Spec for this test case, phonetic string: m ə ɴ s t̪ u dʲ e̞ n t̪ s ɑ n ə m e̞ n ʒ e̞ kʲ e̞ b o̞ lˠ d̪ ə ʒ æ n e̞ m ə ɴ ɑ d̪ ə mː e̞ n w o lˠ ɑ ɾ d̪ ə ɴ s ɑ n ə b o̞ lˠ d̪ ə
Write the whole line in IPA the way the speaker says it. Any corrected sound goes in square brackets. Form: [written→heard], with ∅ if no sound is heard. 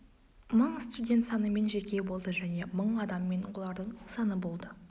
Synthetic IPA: m ə ɴ s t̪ u dʲ e̞ n t̪ s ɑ n ə m e̞ n ʒ e̞ kʲ e̞ b o̞ lˠ d̪ ə ʒ æ n e̞ m ə ɴ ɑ d̪ [ə→ɑ] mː e̞ n w o lˠ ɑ ɾ d̪ ə ɴ s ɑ n ə b o̞ lˠ d̪ ə